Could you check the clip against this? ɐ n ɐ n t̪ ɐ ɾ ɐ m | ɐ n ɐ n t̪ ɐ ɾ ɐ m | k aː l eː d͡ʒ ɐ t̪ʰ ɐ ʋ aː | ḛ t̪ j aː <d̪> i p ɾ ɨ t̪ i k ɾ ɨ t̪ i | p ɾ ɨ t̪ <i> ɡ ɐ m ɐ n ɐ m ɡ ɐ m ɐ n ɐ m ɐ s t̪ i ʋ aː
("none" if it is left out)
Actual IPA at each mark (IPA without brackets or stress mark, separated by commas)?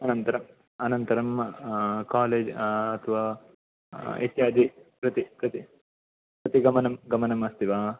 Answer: d̪, i